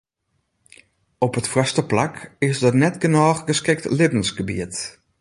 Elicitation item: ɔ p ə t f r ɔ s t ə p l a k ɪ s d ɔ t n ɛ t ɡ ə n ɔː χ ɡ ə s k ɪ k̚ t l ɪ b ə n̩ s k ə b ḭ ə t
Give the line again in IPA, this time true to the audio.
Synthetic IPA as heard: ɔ p ə t f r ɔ s t ə p l a k ɪ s d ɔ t n ɛ t ɡ ə n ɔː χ ɡ ə s k ɪ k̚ t l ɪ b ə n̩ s ɡ ə b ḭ ə t